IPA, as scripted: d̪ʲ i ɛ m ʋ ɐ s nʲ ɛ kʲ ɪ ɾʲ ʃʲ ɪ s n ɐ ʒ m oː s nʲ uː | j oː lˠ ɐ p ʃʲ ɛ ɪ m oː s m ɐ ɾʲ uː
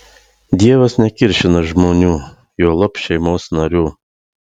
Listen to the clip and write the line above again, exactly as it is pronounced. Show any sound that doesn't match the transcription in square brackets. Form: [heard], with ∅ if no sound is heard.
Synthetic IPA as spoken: d̪ʲ i ɛ [∅] ʋ ɐ s nʲ ɛ kʲ ɪ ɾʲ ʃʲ ɪ [∅] n ɐ ʒ m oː [∅] nʲ uː | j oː lˠ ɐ p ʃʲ ɛ ɪ m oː s [n] ɐ ɾʲ uː

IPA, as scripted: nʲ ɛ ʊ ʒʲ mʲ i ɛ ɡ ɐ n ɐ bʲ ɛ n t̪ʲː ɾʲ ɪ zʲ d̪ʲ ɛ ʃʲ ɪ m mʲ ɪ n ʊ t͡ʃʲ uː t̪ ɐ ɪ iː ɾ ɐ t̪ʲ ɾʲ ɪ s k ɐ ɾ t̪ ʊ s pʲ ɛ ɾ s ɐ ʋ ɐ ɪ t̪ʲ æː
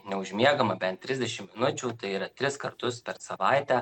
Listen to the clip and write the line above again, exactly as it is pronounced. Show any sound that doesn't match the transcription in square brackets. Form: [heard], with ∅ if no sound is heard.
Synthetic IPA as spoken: nʲ ɛ ʊ ʒʲ mʲ i ɛ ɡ ɐ [m] ɐ bʲ ɛ n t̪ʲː ɾʲ ɪ zʲ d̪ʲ ɛ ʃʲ ɪ m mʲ ɪ n ʊ t͡ʃʲ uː t̪ ɐ ɪ iː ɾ ɐ t̪ʲ ɾʲ ɪ s k ɐ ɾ t̪ ʊ s pʲ ɛ ɾ s ɐ ʋ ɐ ɪ t̪ʲ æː

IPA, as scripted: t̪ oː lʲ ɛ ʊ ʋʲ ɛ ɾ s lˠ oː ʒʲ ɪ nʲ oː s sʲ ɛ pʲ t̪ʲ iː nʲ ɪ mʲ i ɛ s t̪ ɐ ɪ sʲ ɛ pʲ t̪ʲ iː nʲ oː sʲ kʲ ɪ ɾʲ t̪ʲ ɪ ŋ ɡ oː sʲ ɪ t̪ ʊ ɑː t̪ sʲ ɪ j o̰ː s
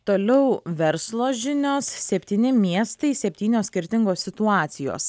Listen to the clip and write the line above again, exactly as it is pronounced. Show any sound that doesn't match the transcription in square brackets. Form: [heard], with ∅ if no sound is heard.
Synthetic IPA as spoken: t̪ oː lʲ ɛ ʊ ʋʲ ɛ ɾ s lˠ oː ʒʲ ɪ nʲ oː s sʲ ɛ pʲ t̪ʲ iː nʲ ɪ mʲ i ɛ s t̪ ɐ ɪ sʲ ɛ pʲ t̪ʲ iː nʲ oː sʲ kʲ ɪ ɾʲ t̪ʲ ɪ ŋ ɡ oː sʲ ɪ t̪ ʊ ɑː t̪ sʲ ɪ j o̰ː s

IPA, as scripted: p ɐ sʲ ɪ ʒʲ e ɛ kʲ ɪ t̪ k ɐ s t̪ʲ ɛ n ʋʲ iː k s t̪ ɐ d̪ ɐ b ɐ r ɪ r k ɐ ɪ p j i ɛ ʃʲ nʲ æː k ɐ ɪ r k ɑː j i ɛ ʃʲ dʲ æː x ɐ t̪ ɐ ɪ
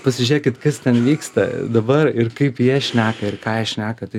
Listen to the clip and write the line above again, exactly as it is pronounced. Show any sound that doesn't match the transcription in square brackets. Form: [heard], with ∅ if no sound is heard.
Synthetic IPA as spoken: p ɐ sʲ ɪ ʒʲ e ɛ kʲ ɪ t̪ k ɐ s t̪ʲ ɛ n ʋʲ iː k s t̪ ɐ d̪ ɐ b ɐ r ɪ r k ɐ ɪ p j i ɛ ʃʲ nʲ æː k ɐ ɪ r k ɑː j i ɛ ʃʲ [nʲ] æː [k] ɐ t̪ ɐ ɪ

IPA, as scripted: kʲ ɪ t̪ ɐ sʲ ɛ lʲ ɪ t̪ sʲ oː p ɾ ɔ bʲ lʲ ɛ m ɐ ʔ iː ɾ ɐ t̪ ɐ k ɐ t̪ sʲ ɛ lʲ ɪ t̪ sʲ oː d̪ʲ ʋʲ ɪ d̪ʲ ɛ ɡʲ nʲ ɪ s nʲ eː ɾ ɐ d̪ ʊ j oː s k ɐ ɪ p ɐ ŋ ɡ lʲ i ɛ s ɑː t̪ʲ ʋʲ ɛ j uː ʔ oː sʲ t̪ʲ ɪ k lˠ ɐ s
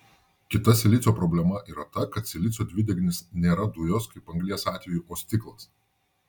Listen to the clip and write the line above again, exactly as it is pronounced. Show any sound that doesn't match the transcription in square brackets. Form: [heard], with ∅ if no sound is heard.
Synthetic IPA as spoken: kʲ ɪ t̪ ɐ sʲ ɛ lʲ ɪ t̪ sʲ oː p ɾ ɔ bʲ lʲ ɛ m ɐ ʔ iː ɾ ɐ t̪ ɐ k ɐ t̪ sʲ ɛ lʲ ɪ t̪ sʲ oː d̪ʲ ʋʲ ɪ d̪ʲ ɛ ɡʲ nʲ ɪ s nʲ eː ɾ ɐ d̪ ʊ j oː s k ɐ ɪ p ɐ ŋ ɡ lʲ i ɛ s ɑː t̪ʲ ʋʲ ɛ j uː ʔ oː sʲ t̪ʲ ɪ k lˠ ɐ s

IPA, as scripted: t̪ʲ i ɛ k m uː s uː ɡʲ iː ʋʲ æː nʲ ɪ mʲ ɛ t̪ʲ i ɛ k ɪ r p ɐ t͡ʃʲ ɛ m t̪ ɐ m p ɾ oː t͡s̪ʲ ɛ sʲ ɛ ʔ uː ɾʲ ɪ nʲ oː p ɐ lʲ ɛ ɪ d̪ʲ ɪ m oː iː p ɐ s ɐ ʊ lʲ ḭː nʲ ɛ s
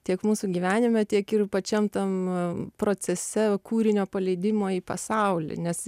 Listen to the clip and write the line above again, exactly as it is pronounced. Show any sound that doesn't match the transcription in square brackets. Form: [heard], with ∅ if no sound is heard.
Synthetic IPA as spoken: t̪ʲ i ɛ k m uː s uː ɡʲ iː ʋʲ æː nʲ ɪ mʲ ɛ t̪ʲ i ɛ k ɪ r p ɐ t͡ʃʲ ɛ m t̪ ɐ m p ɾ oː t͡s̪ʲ ɛ sʲ ɛ [k] uː ɾʲ ɪ nʲ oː p ɐ lʲ ɛ ɪ d̪ʲ ɪ m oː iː p ɐ s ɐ ʊ lʲ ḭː nʲ ɛ s

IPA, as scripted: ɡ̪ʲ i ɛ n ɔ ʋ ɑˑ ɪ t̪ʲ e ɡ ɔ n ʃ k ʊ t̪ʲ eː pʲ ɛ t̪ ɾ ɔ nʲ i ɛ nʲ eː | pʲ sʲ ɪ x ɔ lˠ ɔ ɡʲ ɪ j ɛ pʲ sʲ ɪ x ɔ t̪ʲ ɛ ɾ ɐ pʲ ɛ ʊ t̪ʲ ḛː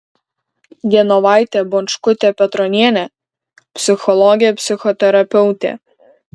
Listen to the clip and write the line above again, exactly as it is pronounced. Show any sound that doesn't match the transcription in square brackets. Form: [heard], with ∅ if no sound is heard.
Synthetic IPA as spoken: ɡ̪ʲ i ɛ n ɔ ʋ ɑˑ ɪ t̪ʲ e [b] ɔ n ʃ k ʊ t̪ʲ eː pʲ ɛ t̪ ɾ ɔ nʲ i ɛ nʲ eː | pʲ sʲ ɪ x ɔ lˠ ɔ ɡʲ ɪ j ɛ pʲ sʲ ɪ x ɔ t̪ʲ ɛ ɾ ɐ pʲ ɛ ʊ t̪ʲ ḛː

